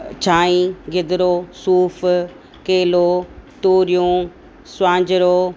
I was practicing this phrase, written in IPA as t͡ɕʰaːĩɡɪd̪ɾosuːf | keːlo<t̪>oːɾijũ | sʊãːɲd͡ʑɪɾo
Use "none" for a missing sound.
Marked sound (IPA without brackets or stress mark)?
t̪